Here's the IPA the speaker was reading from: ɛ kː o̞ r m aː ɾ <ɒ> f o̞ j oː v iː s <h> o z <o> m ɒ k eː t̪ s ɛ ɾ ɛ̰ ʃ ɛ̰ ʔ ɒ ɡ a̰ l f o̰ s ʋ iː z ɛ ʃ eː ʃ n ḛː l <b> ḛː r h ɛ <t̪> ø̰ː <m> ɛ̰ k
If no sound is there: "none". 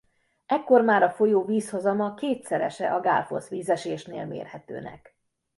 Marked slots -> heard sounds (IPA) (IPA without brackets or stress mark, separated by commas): ɒ, h, ɒ, m, t̪, n